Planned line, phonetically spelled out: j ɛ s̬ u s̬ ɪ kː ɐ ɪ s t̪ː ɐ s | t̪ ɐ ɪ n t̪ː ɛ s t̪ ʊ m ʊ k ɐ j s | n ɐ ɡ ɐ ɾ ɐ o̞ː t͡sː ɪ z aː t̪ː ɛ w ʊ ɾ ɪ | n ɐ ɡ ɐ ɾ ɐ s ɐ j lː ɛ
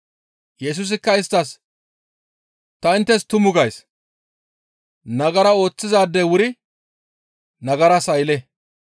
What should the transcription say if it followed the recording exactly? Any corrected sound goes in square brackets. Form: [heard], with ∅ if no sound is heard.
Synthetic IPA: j ɛ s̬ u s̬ ɪ kː ɐ ɪ s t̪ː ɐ s | t̪ ɐ ɪ n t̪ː ɛ s t̪ ʊ m ʊ [ɡ] ɐ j s | n ɐ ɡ ɐ ɾ ɐ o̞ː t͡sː ɪ z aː [d̪ː] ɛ w ʊ ɾ ɪ | n ɐ ɡ ɐ ɾ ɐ s ɐ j [l] ɛ